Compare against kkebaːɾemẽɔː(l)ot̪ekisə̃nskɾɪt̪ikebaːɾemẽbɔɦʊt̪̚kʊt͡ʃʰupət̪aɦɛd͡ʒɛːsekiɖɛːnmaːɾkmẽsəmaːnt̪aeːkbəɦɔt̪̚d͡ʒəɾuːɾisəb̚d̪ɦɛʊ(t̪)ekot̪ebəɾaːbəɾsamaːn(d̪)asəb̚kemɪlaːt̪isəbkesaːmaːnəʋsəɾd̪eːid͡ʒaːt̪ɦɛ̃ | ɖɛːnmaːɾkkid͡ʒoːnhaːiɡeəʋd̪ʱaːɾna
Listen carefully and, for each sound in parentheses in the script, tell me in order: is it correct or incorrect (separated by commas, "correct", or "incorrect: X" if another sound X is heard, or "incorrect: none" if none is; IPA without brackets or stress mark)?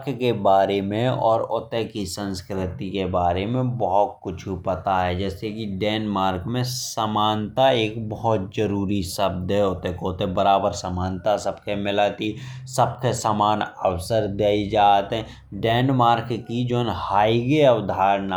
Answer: incorrect: ɾ, correct, incorrect: t̪